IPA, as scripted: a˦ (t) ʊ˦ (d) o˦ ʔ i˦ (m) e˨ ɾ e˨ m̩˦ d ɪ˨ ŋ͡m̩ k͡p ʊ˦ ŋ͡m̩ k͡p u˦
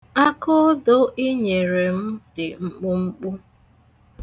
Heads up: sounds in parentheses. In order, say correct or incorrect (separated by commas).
incorrect, correct, incorrect